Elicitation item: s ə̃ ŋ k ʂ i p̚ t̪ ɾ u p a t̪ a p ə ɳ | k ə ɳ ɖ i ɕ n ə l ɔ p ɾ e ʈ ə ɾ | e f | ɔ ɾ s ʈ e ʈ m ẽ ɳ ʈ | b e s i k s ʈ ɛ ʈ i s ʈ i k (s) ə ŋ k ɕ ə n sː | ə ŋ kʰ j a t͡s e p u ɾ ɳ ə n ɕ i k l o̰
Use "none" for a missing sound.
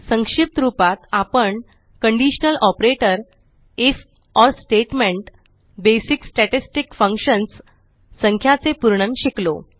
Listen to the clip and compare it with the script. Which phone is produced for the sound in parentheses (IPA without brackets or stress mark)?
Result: f